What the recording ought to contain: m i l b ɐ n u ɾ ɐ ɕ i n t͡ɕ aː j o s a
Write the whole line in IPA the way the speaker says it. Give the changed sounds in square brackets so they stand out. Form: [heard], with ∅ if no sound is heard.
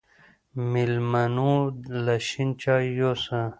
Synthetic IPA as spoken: m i l [m] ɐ n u [l] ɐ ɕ i n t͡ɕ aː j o s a